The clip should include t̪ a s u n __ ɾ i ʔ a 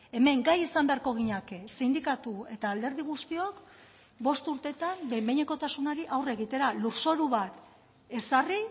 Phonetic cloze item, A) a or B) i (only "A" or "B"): A